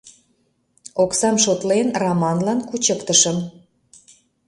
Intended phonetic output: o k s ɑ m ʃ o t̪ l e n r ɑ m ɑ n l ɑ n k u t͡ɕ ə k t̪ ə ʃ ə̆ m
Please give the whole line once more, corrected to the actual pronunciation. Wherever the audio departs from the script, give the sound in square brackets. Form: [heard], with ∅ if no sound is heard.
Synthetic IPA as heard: o k s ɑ m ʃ o t̪ l e n r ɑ m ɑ n l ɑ n k u t͡ɕ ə k t̪ ə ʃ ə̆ m